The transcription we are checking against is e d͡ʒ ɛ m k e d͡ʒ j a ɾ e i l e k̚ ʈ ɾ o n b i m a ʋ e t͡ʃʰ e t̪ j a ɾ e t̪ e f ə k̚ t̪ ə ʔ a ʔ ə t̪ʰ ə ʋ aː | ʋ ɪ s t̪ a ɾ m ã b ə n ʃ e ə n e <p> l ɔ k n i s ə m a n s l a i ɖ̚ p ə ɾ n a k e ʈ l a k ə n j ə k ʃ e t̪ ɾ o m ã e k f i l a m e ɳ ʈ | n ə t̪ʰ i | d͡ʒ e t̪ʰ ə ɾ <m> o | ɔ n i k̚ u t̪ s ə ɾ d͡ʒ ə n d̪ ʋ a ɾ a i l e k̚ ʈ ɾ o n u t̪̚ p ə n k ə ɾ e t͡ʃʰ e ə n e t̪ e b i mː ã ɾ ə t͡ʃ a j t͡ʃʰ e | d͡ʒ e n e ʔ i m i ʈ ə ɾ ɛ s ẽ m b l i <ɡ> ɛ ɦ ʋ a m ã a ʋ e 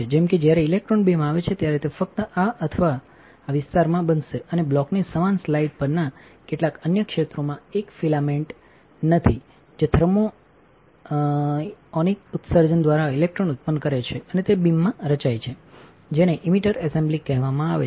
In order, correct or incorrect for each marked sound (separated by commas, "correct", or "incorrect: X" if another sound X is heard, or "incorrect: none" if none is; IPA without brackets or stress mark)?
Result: incorrect: b, correct, incorrect: k